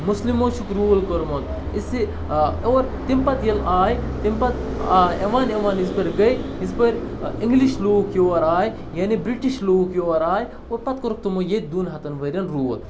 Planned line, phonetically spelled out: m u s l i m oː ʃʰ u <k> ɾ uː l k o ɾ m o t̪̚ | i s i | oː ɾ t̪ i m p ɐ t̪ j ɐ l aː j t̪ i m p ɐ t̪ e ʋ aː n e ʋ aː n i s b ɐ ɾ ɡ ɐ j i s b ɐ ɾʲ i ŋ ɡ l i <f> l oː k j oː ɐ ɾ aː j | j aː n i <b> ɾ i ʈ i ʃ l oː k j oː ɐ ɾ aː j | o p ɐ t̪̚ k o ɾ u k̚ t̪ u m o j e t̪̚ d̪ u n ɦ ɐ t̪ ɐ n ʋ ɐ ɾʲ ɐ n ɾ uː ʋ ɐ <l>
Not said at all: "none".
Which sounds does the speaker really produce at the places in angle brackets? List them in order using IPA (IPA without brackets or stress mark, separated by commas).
k, ʃ, b, l